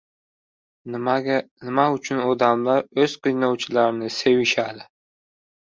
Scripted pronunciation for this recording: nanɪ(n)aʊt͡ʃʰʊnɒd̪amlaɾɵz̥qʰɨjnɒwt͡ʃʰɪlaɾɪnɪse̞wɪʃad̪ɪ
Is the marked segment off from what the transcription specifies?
yes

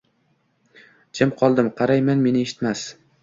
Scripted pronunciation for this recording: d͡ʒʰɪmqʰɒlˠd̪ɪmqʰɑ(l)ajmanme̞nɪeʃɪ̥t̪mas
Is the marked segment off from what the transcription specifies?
yes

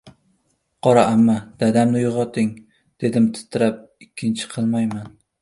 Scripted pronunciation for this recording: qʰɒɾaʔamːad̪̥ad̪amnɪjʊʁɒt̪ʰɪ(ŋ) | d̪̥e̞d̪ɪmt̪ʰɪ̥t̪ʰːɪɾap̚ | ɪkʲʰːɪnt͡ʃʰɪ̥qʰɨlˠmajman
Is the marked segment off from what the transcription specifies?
no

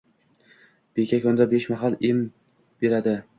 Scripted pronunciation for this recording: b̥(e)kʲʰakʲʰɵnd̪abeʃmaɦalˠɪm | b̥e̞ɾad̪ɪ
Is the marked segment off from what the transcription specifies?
no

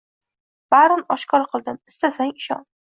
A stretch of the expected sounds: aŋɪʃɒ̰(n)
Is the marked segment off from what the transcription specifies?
no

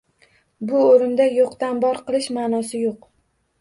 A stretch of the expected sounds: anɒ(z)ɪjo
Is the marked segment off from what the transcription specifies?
yes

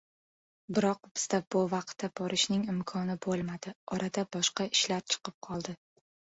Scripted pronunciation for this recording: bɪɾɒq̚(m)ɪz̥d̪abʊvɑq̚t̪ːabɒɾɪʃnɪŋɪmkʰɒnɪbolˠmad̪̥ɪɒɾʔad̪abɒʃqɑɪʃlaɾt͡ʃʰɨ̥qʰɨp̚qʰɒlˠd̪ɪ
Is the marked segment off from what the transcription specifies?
yes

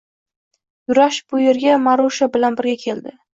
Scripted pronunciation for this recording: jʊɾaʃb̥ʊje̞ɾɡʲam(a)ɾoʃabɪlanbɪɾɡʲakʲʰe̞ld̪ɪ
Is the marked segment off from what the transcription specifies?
no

